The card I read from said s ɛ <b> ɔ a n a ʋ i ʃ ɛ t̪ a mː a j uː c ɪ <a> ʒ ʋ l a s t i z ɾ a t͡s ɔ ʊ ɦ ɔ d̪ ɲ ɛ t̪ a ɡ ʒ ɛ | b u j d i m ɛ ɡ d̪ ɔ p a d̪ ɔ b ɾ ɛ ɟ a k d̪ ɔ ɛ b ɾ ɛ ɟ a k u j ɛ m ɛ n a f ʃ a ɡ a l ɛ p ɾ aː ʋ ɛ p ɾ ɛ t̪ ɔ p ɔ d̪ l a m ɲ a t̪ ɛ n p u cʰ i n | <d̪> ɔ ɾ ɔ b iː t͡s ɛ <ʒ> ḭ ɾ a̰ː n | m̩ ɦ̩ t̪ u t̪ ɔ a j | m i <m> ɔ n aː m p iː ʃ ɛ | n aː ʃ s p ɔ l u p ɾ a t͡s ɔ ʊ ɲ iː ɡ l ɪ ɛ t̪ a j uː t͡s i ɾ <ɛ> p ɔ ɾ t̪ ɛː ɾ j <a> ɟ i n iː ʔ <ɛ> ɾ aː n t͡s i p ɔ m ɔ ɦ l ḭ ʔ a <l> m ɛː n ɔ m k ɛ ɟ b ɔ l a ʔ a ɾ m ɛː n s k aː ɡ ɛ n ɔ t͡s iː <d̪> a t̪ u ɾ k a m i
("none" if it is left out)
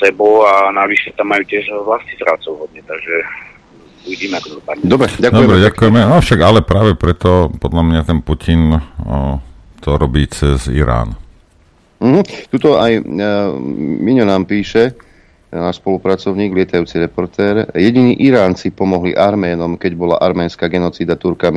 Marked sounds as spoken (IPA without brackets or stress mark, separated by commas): b, ɛ, t̪, z, ɲ, ɛ, ɛ, i, ɾ, d̪